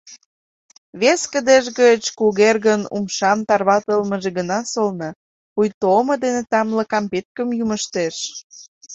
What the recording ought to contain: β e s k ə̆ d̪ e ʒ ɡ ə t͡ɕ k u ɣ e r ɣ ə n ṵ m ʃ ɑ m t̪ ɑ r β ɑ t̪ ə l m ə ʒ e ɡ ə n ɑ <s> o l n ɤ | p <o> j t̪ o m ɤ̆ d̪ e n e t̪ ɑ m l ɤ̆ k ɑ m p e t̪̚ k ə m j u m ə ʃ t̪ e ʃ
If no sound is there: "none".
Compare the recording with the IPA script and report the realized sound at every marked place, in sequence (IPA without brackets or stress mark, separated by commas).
s, u